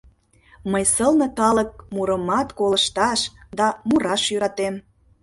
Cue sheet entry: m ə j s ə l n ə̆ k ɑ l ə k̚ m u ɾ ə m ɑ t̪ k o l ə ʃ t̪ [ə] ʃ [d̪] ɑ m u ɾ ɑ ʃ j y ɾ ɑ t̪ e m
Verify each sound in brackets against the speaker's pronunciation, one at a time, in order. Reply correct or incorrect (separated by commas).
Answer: incorrect, correct